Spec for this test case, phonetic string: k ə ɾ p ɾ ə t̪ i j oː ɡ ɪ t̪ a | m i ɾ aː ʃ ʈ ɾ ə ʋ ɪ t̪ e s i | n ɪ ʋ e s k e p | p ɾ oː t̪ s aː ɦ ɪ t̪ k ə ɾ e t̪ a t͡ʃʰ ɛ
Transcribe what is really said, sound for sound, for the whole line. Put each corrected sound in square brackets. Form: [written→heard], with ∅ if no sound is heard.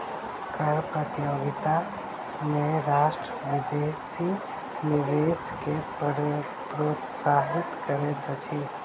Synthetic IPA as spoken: k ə ɾ p ɾ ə t̪ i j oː ɡ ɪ t̪ a | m [i→e] ɾ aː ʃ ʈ ɾ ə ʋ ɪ [t̪→d̪] e s i | n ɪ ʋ e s k e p | p ɾ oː t̪ s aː ɦ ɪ t̪ k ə ɾ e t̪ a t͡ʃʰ [ɛ→i]